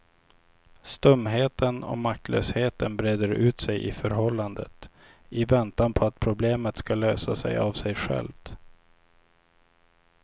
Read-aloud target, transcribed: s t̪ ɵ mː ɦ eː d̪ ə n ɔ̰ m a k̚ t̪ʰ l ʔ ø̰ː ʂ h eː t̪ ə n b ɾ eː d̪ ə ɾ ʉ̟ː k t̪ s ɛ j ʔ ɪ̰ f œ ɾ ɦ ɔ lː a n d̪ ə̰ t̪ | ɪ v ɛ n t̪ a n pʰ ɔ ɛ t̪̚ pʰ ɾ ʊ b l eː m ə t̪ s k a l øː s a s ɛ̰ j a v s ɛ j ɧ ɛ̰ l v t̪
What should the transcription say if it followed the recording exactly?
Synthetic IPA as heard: s t̪ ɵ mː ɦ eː t̪ ə n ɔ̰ m a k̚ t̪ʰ l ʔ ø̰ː s h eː t̪ ə n b ɾ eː d̪ ə ɾ ʉ̟ː t̪ s ɛ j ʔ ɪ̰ f œ ɾ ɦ ɔ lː a n d̪ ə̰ t̪ | ɪ v ɛ n t̪ a n pʰ ɔ a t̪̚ pʰ ɾ ʊ b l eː m ə t̪ s k a l øː s a s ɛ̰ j a v s ɛ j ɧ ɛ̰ l v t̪

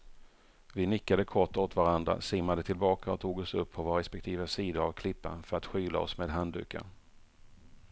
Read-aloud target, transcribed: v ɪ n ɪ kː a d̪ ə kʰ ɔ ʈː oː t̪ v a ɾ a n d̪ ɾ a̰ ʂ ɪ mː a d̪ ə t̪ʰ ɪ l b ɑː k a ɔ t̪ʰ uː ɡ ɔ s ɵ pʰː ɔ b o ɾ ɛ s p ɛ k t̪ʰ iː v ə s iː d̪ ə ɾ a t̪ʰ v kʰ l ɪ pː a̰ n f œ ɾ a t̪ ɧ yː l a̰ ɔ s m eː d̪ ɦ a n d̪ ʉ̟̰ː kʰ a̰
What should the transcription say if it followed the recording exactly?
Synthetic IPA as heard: v ɪ n ɪ kː a d̪ ə kʰ ɔ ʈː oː t̪ v a ɾ a n d̪ ɾ a̰ s ɪ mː a d̪ ə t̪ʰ ɪ l b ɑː k a ɔ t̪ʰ uː ɡ ɔ s ɵ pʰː ɔ v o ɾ ɛ s p ɛ k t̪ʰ iː v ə s iː d̪ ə ɾ a v kʰ l ɪ pː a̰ n f œ ɾ a t̪ ɧ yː l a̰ ɔ s m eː d̪ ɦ a n d̪ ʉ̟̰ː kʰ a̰

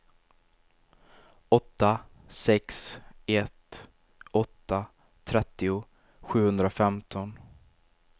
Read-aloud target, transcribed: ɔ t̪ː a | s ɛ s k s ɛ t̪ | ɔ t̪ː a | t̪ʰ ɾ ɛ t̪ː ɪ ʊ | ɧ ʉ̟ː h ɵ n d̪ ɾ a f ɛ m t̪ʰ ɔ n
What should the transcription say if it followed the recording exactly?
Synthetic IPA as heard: ɔ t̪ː a | s ɛ k s ɛ t̪ | ɔ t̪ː a | t̪ʰ ɾ ɛ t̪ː ɪ ʊ | ɧ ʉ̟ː h ɵ n d̪ ɾ a f ɛ m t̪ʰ ɔ n

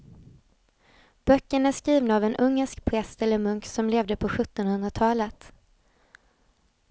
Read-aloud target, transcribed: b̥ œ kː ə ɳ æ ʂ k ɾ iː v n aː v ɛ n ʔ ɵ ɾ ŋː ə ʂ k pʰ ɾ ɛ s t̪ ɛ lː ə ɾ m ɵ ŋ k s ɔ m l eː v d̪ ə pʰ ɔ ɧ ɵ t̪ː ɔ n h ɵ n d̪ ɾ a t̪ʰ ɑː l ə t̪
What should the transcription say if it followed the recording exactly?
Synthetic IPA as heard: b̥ œ kː ə ɳ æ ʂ k ɾ iː v n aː v ɛ n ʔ ɵ ŋː ə ʂ k pʰ ɾ ɛ s t̪ ɛ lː ə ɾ m ɵ ŋ k s ɔ m l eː v d̪ ə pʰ ɔ ɧ ɵ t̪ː ɔ n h ɵ n d̪ ɾ a t̪ʰ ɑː l ə t̪

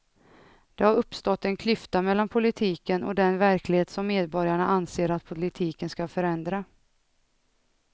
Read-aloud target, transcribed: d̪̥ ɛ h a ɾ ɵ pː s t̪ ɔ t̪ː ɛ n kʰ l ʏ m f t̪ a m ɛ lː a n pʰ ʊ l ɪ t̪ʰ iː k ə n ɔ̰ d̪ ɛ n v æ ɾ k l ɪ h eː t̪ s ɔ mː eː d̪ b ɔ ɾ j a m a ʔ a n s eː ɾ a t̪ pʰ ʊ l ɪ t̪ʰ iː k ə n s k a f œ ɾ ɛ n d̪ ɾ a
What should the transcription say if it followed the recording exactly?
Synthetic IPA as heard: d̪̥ ɛ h a ɾ ɵ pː s t̪ ɔ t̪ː ɛ n kʰ l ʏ f t̪ a m ɛ lː a n pʰ ʊ l ɪ t̪ʰ iː k ə n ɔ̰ d̪ ɛ n v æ ɾ k l ɪ h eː t̪ s ɔ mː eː d̪ b ɔ ɾ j a ɳ a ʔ a n s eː ɾ a t̪ pʰ ʊ l ɪ t̪ʰ iː k ə n s k a f œ ɾ ɛ n d̪ ɾ a

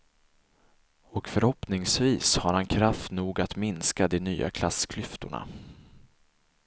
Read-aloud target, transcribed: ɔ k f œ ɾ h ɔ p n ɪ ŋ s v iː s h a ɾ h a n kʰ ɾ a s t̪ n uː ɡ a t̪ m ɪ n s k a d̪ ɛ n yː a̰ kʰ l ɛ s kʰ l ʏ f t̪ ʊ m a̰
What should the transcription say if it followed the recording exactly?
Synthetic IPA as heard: ɔ k f œ ɾ h ɔ p n ɪ ŋ s v iː s h a ɾ h a n kʰ ɾ a f t̪ n uː ɡ a t̪ m ɪ n s k a d̪ ɛ n yː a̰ kʰ l a s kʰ l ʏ f t̪ ʊ ɳ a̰

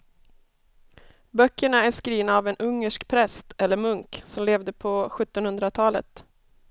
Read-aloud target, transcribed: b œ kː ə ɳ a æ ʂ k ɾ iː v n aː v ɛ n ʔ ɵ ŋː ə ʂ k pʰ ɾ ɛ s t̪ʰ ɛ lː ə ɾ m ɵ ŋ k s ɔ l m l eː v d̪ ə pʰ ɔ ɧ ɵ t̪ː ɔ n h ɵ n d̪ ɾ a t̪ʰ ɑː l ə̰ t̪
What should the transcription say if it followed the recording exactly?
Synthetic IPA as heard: b œ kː ə ɳ a æ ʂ k ɾ iː v n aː v ɛ n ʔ ɵ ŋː ə ʂ k pʰ ɾ ɛ s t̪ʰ ɛ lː ə ɾ m ɵ ŋ k s ɔ m l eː v d̪ ə pʰ ɔ ɧ ɵ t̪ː ɔ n h ɵ n d̪ ɾ a t̪ʰ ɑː l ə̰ t̪

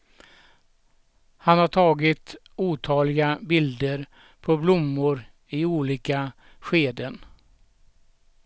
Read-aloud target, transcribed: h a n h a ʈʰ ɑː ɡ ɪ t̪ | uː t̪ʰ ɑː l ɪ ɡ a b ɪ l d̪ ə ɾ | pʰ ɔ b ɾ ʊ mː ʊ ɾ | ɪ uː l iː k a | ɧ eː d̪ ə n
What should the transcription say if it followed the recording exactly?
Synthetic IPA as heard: h a n h a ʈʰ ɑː ɡ ɪ t̪ | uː t̪ʰ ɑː l ɪ ɡ a b ɪ l d̪ ə ɾ | pʰ ɔ b l ʊ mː ʊ ɾ | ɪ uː l iː k a | ɧ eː d̪ ə n

